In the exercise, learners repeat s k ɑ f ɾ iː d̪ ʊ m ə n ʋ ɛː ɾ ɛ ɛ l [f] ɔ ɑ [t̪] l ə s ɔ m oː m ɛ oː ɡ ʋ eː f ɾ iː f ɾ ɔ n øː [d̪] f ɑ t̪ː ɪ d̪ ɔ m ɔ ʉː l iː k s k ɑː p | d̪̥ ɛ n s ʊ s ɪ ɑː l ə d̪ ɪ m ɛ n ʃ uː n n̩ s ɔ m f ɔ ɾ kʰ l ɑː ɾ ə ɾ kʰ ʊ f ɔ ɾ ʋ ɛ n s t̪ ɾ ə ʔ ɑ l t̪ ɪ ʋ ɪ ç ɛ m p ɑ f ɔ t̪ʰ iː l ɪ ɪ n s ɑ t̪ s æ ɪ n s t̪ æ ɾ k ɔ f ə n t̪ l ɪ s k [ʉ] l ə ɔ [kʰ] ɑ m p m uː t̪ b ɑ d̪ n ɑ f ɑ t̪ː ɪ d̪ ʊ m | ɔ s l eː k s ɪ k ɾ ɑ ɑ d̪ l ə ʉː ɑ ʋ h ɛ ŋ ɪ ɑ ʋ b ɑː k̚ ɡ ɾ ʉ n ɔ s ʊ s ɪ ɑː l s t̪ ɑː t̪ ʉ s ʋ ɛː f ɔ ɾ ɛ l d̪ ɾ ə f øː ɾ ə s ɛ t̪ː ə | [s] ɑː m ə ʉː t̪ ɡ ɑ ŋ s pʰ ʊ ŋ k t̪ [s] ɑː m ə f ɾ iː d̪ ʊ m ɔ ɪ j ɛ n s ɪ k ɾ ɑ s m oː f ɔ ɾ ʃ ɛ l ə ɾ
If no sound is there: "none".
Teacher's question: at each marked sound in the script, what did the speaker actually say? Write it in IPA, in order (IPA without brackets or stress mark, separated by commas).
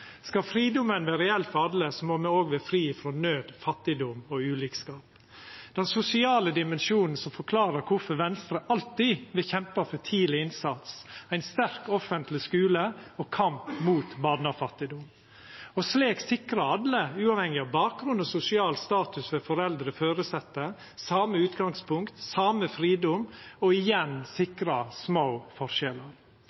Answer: f, d̪, d̪, ʉː, kʰ, s, s